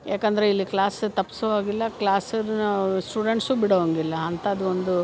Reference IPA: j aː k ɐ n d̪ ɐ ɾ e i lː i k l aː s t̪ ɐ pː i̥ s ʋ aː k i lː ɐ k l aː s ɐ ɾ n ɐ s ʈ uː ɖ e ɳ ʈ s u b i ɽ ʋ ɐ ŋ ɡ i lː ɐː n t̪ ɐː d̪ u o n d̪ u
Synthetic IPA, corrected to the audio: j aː k ɐ n d̪ ɐ ɾ e i lː i k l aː s t̪ ɐ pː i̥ s ʋ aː ɡ i lː ɐ k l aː s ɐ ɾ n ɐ s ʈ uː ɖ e ɳ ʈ s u b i ɽ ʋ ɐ ŋ ɡ i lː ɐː n t̪ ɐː d̪ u o n d̪ u